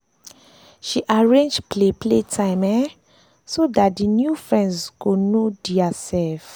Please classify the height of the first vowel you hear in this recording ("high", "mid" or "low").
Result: high